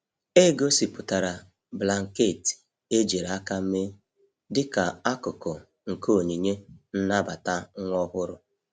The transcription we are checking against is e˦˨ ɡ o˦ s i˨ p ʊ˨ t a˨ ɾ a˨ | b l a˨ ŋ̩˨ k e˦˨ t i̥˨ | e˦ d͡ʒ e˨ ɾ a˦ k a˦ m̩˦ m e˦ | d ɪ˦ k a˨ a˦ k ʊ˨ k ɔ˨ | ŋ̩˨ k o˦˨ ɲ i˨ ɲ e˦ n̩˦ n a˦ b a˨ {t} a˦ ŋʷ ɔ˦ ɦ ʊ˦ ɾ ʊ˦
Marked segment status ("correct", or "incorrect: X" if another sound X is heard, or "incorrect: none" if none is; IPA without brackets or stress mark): correct